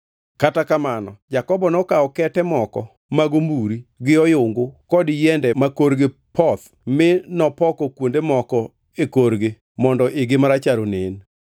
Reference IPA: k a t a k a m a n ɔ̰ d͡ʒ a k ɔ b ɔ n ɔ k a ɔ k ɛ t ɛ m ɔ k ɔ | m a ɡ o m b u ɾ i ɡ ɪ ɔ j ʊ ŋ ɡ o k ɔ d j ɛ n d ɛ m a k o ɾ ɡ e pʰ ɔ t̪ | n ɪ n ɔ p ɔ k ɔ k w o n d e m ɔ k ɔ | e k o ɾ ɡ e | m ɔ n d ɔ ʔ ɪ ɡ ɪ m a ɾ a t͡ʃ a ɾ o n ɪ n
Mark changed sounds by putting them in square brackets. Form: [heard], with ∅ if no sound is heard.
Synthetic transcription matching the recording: k a t a k a m a n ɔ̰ d͡ʒ a k ɔ b ɔ n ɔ k a ɔ k ɛ t ɛ m ɔ k ɔ | m a ɡ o m b u ɾ i ɡ ɪ ɔ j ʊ ŋ ɡ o k ɔ d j ɛ n d ɛ m a k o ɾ ɡ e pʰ ɔ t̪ | [m] ɪ n ɔ p ɔ k ɔ k w o n d e m ɔ k ɔ | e k o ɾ ɡ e | m ɔ n d ɔ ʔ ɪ ɡ ɪ m a ɾ a t͡ʃ a ɾ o n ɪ n